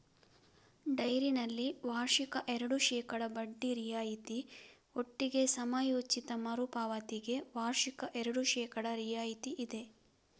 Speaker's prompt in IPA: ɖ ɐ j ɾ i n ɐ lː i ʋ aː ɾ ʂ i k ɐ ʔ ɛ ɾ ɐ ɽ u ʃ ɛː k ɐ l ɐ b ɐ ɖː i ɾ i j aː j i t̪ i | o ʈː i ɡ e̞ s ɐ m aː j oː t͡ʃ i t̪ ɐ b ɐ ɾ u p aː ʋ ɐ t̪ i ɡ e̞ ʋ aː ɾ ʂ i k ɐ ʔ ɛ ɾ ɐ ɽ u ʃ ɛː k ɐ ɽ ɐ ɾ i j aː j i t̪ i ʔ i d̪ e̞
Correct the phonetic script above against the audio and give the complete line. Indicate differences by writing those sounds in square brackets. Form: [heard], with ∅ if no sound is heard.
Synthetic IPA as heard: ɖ ɐ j ɾ i n ɐ lː i ʋ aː ɾ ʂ i k ɐ ʔ ɛ ɾ ɐ ɽ u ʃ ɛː k ɐ [ɽ] ɐ b ɐ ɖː i ɾ i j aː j i t̪ i | o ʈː i ɡ e̞ s ɐ m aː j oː t͡ʃ i t̪ ɐ [m] ɐ ɾ u p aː ʋ ɐ t̪ i ɡ e̞ ʋ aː ɾ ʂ i k ɐ ʔ ɛ ɾ ɐ ɽ u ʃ ɛː k ɐ ɽ ɐ ɾ i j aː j i t̪ i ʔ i d̪ e̞